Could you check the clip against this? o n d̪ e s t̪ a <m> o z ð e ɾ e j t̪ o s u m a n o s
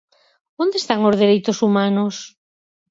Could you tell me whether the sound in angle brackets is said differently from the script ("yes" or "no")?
yes